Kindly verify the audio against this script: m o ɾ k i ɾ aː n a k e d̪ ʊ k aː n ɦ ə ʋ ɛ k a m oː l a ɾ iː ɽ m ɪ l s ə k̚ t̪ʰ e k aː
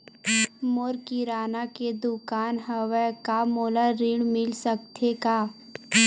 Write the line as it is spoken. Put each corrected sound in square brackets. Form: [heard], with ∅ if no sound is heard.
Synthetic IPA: m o ɾ k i ɾ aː n a k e d̪ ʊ k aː n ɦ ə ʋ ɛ k a m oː l a ɾ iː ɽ m ɪ l s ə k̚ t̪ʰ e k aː